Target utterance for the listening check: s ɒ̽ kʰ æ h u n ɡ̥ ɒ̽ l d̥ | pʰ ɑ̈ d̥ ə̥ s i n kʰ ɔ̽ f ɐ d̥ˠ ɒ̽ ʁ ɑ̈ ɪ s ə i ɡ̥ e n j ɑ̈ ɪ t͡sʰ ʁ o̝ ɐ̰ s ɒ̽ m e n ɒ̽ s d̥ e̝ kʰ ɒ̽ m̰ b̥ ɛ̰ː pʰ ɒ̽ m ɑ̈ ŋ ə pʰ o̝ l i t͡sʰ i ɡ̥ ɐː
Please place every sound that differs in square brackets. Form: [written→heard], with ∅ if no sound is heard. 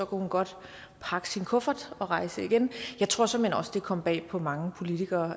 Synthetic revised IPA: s ɒ̽ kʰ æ h u n ɡ̥ ɒ̽ [l→∅] d̥ | pʰ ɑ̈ [d̥→ɡ̥] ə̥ s i n kʰ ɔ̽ f ɐ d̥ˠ ɒ̽ ʁ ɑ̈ ɪ s ə i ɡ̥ e n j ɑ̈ ɪ t͡sʰ ʁ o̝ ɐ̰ s ɒ̽ m e n ɒ̽ s d̥ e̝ kʰ ɒ̽ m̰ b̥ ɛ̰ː pʰ ɒ̽ m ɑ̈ ŋ ə pʰ o̝ l i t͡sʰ i ɡ̥ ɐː